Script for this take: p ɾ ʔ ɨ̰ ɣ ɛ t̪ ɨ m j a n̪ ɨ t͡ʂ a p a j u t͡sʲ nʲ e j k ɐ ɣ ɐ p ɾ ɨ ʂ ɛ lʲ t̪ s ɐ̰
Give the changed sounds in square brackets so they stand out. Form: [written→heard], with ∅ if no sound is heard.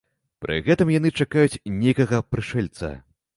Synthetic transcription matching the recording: p ɾ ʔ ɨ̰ ɣ ɛ t̪ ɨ m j a n̪ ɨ t͡ʂ a [p→k] a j u t͡sʲ nʲ e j k ɐ ɣ ɐ p ɾ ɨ ʂ ɛ lʲ t̪ s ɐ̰